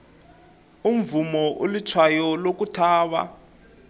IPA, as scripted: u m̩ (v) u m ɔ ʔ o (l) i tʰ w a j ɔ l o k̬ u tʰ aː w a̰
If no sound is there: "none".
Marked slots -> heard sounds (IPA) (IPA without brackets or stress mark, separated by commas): v, l